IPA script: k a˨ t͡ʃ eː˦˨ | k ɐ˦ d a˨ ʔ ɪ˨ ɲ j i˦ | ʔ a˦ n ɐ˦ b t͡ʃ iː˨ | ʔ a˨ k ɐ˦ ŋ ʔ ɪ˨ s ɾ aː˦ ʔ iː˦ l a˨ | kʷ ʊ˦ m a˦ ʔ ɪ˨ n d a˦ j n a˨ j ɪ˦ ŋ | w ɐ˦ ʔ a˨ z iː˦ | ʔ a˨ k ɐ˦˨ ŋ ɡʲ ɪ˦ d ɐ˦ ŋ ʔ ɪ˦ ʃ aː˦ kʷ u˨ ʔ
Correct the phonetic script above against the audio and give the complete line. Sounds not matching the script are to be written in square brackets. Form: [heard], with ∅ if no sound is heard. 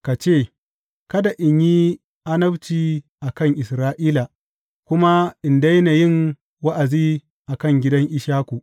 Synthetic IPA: k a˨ t͡ʃ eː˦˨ | k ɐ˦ d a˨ ʔ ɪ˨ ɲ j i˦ | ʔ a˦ n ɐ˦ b t͡ʃ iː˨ | ʔ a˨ k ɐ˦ ŋ ʔ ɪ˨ s ɾ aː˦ ʔ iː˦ l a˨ | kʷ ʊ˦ m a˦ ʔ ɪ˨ n d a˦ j n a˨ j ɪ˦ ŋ | w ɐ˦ ʔ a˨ z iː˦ | ʔ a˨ k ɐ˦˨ ŋ ɡʲ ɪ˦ d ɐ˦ ŋ ʔ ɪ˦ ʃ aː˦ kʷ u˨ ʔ